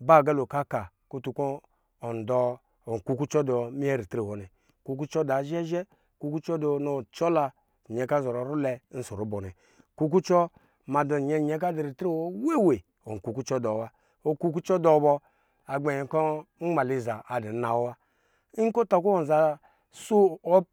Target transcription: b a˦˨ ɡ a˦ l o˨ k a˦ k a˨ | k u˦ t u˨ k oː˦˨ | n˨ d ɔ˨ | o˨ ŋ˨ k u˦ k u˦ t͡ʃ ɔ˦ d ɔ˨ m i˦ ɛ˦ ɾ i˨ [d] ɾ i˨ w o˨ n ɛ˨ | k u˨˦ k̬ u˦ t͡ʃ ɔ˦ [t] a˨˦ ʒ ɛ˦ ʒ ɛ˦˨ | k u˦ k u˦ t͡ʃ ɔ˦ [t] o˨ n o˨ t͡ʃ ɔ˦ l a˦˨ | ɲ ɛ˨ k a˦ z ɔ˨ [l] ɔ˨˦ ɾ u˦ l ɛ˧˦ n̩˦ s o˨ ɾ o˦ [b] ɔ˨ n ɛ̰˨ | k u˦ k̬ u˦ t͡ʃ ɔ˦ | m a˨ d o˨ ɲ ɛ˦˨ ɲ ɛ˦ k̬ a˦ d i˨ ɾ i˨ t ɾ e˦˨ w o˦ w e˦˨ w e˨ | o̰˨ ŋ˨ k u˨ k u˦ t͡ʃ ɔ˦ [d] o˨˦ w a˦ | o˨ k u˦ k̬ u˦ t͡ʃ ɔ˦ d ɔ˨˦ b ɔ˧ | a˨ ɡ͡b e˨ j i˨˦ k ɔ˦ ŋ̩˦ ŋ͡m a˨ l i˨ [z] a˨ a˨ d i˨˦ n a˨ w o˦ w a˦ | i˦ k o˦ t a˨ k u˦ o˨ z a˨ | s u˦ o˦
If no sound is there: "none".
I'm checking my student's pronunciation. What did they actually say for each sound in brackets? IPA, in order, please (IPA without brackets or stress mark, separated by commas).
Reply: t, d, d, ɾ, b, d, z